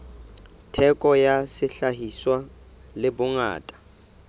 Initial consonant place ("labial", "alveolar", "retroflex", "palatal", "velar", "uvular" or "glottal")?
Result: alveolar